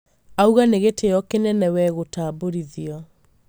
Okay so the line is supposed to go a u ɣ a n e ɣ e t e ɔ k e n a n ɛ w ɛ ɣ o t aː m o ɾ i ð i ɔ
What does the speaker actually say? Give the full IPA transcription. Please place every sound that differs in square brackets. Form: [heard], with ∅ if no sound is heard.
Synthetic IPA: a u ɣ a n e ɣ e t e ɔ k e n [ɛ] n ɛ w ɛ ɣ o t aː [b] o ɾ i ð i ɔ